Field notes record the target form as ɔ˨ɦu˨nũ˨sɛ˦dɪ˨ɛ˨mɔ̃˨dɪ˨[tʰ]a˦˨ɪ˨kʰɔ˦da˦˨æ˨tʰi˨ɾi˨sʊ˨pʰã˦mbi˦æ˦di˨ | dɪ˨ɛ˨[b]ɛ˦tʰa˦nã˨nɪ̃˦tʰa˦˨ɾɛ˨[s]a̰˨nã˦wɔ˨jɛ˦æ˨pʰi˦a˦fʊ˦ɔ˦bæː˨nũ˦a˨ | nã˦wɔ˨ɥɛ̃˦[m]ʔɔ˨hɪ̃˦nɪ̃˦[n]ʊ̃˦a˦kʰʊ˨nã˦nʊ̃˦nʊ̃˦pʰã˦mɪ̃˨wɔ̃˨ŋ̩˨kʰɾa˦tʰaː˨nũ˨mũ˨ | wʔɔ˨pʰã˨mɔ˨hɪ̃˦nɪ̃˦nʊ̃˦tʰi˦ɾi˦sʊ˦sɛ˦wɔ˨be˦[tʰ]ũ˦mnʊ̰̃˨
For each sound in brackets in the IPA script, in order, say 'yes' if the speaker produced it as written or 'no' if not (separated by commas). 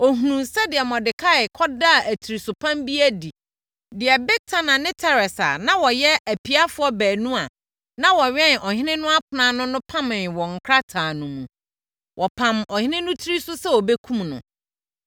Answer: no, yes, yes, no, yes, no